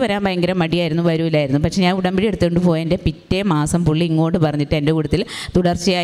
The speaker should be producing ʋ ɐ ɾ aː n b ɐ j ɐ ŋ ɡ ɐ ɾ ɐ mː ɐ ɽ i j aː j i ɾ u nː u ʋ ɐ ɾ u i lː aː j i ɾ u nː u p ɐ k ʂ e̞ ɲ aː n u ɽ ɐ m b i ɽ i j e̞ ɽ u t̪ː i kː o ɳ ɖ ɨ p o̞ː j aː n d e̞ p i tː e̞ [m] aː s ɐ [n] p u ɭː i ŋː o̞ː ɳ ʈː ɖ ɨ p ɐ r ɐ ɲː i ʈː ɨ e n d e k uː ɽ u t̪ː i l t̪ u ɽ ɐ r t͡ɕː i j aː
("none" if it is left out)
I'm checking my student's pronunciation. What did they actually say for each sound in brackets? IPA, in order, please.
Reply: m, m

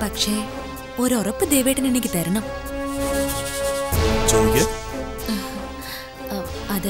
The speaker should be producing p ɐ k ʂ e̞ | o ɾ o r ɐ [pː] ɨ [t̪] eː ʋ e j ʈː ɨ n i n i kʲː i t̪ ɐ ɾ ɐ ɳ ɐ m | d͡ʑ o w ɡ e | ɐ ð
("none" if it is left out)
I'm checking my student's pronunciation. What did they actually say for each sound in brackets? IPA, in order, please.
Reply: pː, d̪

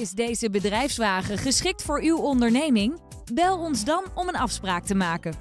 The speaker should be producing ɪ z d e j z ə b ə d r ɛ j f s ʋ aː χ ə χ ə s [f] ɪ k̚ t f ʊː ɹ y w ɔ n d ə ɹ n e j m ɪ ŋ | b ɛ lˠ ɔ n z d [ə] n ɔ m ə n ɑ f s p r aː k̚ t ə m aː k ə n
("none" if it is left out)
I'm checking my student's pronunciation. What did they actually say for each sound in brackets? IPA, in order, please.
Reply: χ, ɑ

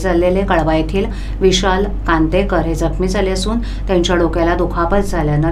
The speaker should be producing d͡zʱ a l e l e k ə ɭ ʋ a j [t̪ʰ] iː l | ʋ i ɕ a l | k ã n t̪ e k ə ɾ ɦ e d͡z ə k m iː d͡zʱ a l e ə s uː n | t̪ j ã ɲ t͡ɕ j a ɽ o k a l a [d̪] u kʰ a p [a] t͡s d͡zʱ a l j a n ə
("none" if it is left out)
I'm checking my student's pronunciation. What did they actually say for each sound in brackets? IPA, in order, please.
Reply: t̪ʰ, d̪, ə

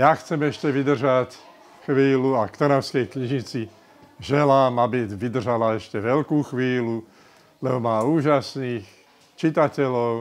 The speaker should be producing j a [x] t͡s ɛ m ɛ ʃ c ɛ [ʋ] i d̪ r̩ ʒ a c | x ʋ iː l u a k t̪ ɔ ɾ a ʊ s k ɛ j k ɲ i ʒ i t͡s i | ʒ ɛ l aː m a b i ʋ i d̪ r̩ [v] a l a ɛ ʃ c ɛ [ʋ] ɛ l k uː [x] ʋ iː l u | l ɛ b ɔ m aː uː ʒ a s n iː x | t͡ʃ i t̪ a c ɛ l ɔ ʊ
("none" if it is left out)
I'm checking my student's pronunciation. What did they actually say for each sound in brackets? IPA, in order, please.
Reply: x, ʋ, ʒ, ʋ, x

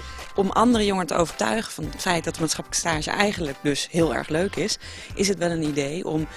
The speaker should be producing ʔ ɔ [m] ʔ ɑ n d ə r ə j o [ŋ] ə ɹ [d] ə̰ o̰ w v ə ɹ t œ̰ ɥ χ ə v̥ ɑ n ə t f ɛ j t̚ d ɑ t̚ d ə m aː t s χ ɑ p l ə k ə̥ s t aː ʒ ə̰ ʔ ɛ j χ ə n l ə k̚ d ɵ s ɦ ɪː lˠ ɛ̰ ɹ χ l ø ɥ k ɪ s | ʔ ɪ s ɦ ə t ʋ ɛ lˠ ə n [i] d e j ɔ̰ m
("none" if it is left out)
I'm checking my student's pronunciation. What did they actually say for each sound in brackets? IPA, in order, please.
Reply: m, ŋ, t, i

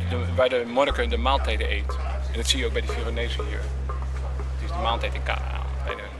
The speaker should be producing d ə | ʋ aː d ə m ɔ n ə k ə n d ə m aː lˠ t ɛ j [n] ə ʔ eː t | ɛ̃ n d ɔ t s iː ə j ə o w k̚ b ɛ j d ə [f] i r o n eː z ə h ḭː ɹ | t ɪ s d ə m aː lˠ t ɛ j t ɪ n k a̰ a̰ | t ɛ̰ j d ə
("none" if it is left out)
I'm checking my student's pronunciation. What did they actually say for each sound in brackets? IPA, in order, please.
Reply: d, f

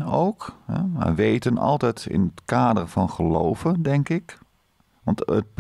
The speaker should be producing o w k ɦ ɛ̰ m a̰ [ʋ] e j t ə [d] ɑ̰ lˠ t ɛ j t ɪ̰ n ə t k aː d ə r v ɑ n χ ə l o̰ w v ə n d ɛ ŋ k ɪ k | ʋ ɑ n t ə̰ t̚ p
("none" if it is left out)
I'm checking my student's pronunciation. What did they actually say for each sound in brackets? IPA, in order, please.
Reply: ʋ, n

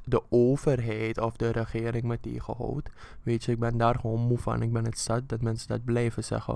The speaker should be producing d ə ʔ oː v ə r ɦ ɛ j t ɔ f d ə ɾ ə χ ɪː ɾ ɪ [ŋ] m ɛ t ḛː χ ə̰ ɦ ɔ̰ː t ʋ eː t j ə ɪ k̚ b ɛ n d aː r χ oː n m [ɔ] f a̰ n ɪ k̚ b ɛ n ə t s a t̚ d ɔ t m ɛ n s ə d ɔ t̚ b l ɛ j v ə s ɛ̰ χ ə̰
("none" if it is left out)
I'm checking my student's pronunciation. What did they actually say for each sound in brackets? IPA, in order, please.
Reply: ŋ, u

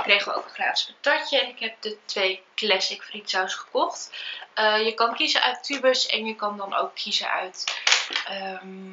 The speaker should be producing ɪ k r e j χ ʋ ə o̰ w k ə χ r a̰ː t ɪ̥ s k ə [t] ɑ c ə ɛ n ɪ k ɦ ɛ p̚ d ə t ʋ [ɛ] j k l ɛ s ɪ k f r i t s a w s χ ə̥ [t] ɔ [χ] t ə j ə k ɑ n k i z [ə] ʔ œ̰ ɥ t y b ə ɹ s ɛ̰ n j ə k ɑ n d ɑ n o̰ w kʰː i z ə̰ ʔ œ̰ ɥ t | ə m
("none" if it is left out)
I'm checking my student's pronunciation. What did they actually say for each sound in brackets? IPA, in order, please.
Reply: t, e, k, χ, ə

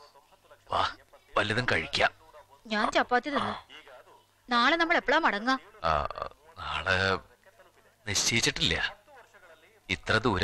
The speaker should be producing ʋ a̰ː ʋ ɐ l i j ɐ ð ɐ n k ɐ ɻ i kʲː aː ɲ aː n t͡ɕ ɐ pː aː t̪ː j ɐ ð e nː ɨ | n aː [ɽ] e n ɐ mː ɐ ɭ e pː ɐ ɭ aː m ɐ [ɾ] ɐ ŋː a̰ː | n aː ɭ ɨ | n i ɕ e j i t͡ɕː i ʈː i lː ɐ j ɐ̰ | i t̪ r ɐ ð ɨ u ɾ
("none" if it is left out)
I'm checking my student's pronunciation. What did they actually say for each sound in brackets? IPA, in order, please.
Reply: ɭ, ɽ

